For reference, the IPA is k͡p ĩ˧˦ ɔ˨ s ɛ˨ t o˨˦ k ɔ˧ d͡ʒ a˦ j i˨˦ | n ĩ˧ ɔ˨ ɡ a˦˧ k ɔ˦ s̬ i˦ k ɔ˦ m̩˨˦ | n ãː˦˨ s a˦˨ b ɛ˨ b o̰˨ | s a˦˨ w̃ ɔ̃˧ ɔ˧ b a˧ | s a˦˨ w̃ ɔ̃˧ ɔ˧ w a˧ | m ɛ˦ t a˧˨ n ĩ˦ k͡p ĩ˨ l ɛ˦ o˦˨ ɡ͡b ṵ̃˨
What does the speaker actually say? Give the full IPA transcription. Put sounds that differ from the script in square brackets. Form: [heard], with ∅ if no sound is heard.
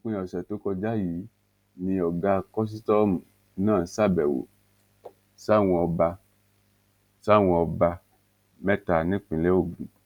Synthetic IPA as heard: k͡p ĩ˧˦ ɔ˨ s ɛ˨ t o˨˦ k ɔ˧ d͡ʒ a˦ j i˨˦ | n ĩ˧ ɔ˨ ɡ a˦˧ k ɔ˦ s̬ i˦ [t] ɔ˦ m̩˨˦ | n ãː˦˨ s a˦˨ b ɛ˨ [w] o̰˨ | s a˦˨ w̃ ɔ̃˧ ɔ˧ b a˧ | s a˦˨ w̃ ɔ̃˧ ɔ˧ [b] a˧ | m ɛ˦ t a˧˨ n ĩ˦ k͡p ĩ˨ l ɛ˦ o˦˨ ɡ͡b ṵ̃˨